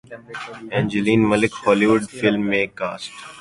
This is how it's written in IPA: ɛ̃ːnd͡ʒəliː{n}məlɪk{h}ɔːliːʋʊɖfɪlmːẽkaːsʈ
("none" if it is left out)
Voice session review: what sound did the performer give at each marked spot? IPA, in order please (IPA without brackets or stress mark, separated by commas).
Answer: n, h